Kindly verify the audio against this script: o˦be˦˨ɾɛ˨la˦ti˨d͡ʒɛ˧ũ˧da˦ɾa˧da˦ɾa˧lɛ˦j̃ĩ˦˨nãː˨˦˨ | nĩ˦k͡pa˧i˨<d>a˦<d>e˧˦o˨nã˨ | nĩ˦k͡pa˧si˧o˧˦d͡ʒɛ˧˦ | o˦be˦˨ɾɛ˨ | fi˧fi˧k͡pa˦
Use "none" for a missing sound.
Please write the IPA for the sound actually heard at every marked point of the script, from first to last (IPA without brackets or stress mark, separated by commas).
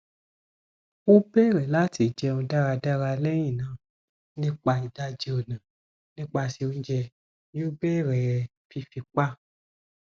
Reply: d, d͡ʒ